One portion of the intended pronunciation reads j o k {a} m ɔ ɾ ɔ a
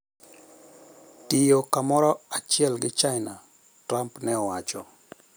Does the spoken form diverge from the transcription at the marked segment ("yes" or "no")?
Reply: no